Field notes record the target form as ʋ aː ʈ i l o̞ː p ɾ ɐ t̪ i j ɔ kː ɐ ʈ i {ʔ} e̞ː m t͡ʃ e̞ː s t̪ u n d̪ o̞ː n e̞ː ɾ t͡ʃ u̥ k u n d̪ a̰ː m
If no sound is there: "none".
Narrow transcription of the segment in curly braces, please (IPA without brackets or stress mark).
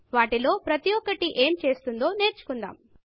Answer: ʔ